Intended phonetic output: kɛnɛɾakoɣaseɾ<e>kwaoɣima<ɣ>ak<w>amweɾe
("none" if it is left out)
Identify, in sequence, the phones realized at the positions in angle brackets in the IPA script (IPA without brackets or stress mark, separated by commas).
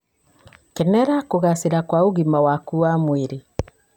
a, w, u